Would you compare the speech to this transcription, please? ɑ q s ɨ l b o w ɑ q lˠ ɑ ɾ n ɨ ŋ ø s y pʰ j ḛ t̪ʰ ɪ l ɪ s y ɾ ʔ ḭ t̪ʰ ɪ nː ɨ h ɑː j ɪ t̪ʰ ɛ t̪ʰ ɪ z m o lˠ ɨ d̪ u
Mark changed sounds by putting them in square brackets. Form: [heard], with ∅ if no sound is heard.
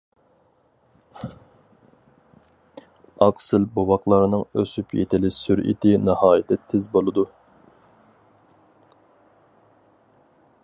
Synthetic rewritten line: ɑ q s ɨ l b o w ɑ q lˠ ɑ ɾ n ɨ ŋ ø s y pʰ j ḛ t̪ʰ ɪ l ɪ s y ɾ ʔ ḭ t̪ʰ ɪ [n] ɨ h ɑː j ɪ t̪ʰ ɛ t̪ʰ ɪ z [b] o lˠ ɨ d̪ u